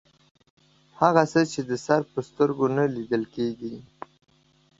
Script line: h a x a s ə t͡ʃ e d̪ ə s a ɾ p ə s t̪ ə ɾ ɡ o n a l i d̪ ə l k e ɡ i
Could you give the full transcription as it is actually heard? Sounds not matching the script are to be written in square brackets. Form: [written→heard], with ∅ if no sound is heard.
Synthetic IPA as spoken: h a [x→ɣ] a s ə t͡ʃ e d̪ ə s a ɾ p ə s t̪ ə ɾ ɡ o n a l i d̪ ə l k e ɡ i